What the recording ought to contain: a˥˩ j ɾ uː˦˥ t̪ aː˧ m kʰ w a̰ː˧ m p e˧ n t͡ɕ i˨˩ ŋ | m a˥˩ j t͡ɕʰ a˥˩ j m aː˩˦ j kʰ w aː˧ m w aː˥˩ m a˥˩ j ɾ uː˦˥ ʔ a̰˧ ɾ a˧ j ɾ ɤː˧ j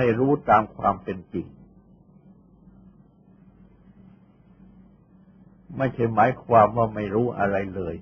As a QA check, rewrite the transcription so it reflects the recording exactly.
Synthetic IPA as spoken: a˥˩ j ɾ uː˦˥ t̪ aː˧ m kʰ w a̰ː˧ m p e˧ n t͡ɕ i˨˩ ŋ | m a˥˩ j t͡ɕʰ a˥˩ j m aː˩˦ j kʰ w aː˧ m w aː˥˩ m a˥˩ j ɾ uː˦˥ ʔ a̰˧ ɾ a˧ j l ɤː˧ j